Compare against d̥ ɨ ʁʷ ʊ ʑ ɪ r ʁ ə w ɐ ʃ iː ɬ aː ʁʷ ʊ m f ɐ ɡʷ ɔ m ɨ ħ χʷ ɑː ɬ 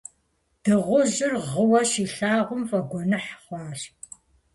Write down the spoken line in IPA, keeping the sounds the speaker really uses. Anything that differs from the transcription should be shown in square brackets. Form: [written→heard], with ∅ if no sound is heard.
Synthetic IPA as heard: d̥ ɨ ʁʷ ʊ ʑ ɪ r ʁ ə w ɐ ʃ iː ɬ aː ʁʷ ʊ m f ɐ ɡʷ ɔ [m→n] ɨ ħ χʷ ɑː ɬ